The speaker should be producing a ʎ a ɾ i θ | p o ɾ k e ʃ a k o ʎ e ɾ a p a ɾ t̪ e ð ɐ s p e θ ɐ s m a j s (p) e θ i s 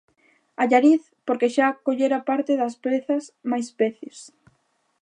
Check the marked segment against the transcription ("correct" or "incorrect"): correct